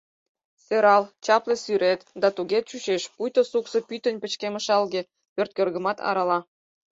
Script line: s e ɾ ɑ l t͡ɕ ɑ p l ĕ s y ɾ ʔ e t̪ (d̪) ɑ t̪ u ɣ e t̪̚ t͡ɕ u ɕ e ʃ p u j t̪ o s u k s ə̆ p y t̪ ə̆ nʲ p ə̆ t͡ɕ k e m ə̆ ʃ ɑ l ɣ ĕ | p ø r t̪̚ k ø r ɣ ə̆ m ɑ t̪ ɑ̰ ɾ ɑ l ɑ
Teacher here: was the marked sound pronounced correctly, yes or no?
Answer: yes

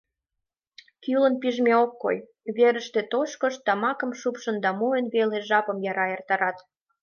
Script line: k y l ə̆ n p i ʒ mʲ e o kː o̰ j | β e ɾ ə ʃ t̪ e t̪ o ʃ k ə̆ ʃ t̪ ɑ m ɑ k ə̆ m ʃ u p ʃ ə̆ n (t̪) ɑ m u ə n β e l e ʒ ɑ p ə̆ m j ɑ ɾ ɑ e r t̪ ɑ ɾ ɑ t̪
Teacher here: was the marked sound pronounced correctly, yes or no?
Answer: no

